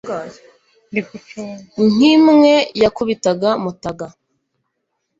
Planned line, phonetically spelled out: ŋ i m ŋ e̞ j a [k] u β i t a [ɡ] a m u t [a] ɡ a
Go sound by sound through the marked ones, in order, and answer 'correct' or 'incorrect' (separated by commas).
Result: correct, correct, correct